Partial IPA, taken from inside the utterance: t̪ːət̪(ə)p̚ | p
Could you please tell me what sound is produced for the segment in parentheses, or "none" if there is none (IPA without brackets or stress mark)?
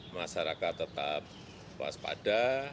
a